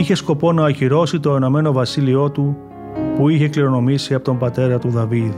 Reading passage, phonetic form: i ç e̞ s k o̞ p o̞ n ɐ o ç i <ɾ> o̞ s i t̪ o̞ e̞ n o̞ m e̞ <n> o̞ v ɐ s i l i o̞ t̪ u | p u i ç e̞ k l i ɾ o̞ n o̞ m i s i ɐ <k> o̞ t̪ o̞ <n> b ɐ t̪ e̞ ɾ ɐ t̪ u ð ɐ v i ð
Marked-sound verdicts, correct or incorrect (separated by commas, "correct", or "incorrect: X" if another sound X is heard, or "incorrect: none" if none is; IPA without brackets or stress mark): correct, correct, incorrect: p, incorrect: m